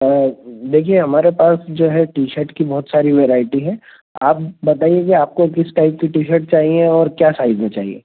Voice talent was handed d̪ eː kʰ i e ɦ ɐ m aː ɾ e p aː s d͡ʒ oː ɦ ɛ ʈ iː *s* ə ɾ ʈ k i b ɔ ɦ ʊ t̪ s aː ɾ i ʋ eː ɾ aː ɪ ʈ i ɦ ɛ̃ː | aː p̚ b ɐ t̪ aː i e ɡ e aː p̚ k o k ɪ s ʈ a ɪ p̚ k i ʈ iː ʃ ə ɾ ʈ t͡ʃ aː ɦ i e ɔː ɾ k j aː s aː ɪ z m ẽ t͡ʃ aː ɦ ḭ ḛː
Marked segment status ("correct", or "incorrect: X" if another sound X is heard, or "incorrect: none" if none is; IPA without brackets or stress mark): incorrect: ʃ